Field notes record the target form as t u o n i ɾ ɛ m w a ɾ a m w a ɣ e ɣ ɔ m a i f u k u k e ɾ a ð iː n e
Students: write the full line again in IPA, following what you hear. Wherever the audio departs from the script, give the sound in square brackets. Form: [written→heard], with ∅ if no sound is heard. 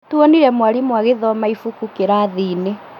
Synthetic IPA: t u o n i ɾ ɛ m w a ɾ [a→i] m w a ɣ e [ɣ→ð] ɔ m a i f u k u k e ɾ a ð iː n e